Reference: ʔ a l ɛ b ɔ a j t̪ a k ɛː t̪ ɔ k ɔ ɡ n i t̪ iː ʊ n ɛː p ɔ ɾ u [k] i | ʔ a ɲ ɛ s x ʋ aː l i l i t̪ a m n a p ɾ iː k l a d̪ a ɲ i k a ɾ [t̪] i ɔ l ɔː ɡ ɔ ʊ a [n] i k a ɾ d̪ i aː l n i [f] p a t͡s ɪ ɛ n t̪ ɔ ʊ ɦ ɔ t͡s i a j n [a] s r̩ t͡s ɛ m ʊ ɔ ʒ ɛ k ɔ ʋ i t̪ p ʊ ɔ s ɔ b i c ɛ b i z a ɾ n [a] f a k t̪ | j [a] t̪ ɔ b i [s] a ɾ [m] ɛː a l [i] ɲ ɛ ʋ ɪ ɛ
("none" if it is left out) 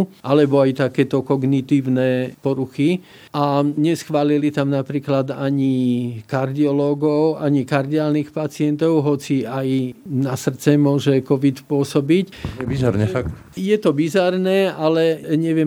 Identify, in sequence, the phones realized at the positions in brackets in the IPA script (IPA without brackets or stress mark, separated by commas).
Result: x, d̪, ɲ, x, a, ɛ, ɛ, z, n, ɛ